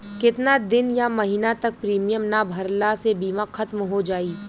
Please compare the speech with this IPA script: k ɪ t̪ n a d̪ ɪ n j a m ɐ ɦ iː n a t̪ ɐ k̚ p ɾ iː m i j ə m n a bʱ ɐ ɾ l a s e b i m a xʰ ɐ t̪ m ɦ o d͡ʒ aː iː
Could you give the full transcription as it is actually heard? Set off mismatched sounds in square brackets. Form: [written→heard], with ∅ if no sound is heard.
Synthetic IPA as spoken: k ɪ t̪ n a d̪ ɪ n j a m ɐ ɦ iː n a t̪ ɐ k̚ p ɾ iː m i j ə m n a bʱ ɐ ɾ l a s e b [i→iː] m a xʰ ɐ t̪ m ɦ o d͡ʒ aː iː